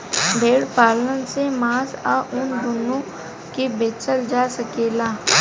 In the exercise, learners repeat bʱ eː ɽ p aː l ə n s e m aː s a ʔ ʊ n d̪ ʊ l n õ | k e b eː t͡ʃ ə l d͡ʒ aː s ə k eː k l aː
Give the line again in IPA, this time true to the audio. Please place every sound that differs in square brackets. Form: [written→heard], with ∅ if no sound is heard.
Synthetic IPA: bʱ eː ɽ p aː l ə n s e m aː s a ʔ ʊ n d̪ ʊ [l→∅] n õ | k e b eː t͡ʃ ə l d͡ʒ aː s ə k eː [k→∅] l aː